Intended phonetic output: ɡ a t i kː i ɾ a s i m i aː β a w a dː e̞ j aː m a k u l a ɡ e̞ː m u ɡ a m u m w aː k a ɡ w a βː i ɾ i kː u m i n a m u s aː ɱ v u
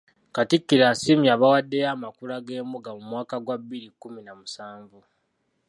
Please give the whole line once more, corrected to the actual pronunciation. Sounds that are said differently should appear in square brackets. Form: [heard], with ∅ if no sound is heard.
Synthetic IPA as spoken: [k] a t i kː i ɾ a s i m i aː β a w a dː e̞ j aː m a k u l a ɡ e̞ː m u ɡ a m u m w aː k a ɡ w a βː i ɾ i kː u m i n a m u s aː ɱ v u